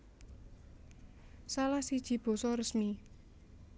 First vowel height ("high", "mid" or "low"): low